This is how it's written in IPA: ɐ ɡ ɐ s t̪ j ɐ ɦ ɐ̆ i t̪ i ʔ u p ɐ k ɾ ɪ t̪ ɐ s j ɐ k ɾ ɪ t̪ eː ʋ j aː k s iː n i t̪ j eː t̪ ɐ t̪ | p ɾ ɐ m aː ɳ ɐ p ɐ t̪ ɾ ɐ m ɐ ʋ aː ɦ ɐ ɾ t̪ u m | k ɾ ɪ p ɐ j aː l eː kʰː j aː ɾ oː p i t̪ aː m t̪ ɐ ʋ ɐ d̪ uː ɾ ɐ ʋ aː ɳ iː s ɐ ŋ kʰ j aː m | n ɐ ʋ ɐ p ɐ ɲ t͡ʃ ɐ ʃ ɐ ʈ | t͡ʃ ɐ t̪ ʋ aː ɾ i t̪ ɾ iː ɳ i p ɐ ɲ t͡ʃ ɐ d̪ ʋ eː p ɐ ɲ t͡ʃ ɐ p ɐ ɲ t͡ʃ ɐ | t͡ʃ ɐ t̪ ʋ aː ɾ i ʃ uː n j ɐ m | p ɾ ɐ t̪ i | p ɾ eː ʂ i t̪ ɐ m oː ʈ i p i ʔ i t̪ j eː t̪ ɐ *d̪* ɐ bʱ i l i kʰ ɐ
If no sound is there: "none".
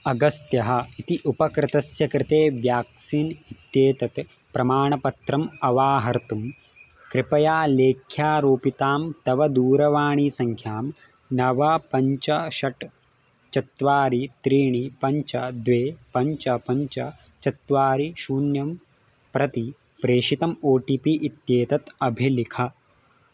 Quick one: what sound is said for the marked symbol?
t̪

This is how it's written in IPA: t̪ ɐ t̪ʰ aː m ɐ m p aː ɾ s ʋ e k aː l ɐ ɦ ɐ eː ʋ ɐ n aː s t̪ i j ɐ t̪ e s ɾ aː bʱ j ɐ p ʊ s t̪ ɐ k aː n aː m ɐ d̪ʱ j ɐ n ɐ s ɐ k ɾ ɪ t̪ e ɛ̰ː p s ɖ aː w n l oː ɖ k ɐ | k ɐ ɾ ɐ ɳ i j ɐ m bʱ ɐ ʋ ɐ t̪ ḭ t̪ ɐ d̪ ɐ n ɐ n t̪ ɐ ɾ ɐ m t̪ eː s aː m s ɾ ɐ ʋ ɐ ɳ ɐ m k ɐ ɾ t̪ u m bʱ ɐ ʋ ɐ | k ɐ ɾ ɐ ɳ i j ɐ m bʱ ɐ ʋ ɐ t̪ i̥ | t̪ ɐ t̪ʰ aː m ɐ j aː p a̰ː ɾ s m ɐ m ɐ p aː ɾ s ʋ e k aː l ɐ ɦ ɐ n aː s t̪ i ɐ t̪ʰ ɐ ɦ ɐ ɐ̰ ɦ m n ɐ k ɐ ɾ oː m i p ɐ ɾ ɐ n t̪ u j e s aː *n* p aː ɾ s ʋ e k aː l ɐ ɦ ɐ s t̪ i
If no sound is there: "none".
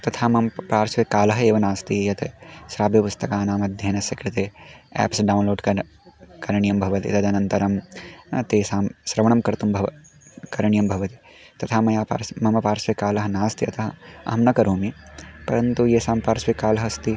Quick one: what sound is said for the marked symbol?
m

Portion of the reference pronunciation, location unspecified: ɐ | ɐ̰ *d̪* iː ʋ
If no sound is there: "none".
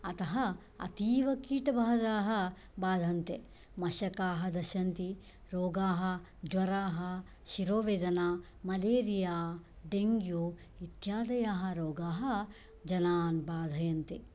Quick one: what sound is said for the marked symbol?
t̪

